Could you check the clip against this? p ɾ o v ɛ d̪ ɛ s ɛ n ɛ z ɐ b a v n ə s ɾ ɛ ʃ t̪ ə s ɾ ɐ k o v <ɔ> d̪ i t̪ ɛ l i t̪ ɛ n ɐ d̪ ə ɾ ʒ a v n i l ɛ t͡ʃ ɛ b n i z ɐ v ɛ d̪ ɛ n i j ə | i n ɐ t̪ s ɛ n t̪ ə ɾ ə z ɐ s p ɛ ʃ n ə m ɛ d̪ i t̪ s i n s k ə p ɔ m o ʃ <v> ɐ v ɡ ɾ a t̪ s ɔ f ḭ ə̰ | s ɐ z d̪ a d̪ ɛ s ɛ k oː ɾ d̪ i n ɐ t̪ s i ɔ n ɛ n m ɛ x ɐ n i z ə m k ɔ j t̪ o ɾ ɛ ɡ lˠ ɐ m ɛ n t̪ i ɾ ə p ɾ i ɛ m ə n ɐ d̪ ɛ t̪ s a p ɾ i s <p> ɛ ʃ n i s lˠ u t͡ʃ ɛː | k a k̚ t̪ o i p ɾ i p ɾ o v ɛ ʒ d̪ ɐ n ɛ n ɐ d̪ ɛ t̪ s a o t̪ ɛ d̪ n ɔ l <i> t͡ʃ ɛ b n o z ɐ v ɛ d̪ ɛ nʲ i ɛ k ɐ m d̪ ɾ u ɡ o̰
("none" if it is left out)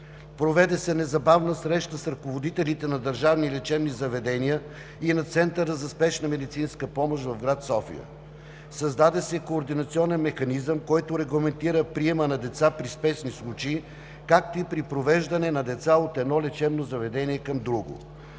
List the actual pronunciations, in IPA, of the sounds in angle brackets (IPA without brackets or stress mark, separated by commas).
o, v, p, ɛ